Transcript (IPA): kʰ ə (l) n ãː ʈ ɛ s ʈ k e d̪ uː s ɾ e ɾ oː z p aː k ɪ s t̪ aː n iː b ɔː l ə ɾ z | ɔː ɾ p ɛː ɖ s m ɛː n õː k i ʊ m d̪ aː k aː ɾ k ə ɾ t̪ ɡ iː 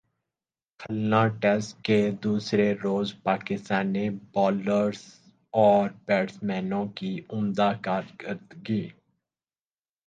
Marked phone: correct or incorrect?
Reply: correct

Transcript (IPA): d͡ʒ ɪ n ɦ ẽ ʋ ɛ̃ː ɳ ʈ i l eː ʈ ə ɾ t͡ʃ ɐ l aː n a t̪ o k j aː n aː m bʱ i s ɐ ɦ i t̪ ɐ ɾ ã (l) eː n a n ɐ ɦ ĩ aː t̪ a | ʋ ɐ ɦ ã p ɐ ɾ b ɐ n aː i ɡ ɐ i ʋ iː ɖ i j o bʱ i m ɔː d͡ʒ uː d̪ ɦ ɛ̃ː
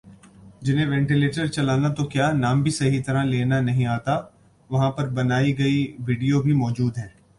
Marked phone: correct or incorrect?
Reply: correct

